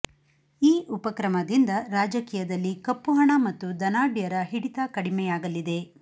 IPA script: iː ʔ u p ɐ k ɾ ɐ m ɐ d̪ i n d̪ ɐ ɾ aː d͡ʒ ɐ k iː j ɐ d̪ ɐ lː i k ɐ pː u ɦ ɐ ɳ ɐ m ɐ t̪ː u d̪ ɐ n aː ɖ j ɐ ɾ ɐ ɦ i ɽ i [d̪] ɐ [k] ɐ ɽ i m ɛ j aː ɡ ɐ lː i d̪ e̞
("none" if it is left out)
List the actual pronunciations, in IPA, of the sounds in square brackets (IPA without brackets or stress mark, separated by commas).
t̪, k